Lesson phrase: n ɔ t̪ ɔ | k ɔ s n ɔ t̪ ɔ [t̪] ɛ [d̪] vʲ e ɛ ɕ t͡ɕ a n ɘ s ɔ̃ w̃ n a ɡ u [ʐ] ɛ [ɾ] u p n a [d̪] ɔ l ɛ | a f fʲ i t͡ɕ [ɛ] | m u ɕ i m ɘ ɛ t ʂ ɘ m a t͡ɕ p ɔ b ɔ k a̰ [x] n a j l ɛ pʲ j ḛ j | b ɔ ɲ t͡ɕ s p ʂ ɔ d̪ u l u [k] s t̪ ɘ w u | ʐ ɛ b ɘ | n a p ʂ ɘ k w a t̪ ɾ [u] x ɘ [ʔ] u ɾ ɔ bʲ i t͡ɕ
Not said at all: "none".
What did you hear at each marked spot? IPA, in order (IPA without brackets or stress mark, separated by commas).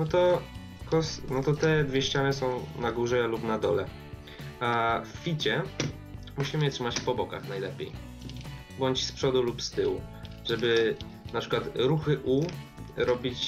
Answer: t̪, d̪, ʐ, l, d̪, ɛ, x, p, u, ʔ